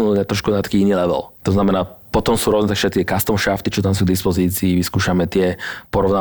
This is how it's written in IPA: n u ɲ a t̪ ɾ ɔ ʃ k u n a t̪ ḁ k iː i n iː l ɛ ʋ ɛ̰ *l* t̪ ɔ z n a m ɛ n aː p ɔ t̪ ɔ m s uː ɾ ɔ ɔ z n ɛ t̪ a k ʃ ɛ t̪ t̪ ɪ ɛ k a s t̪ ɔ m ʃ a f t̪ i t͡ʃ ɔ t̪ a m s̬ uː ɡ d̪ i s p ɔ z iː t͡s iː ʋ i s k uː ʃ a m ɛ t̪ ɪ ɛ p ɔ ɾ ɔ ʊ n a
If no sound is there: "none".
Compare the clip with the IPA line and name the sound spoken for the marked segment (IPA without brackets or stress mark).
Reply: l